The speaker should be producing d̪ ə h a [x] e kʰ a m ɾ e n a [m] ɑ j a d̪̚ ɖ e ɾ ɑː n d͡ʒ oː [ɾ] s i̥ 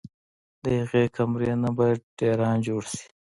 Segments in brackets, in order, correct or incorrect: incorrect, incorrect, incorrect

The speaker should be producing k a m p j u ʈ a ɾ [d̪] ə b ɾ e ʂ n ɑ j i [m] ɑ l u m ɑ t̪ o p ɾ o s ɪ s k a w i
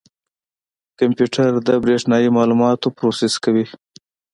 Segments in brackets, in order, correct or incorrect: correct, correct

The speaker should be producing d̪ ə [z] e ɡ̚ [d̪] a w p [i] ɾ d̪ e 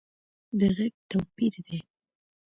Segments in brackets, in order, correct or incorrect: incorrect, incorrect, correct

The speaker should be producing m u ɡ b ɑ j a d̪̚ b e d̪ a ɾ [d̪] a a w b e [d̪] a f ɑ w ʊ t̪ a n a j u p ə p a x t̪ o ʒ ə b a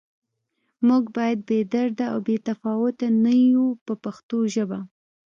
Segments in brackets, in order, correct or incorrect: correct, incorrect

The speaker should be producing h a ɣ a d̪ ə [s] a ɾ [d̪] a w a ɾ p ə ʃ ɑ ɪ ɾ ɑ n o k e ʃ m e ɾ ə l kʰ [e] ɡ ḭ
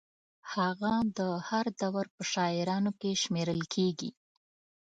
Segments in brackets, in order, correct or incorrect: incorrect, correct, correct

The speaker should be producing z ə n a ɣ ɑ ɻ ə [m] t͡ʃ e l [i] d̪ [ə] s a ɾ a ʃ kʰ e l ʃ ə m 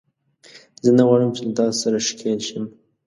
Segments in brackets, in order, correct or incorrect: correct, incorrect, incorrect

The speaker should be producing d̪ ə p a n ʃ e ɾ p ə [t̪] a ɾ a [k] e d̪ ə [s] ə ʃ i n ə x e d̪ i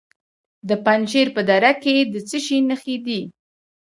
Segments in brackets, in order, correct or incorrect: incorrect, correct, incorrect

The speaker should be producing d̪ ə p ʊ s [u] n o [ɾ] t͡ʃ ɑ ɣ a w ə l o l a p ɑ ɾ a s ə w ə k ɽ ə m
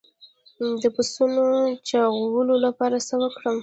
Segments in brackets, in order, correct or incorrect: correct, incorrect

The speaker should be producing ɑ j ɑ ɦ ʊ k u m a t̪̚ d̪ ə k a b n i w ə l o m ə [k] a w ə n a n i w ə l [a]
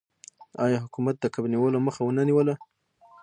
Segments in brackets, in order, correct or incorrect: incorrect, correct

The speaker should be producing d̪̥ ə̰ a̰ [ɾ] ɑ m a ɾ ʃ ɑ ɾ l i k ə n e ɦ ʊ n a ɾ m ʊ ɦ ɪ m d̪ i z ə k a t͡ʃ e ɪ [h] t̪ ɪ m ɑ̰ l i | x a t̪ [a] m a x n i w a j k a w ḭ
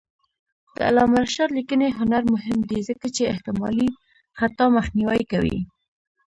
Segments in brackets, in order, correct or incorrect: incorrect, correct, incorrect

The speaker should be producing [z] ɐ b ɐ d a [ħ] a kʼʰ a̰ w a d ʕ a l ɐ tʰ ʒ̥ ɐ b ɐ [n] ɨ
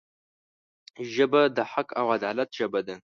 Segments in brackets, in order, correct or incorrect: incorrect, correct, incorrect

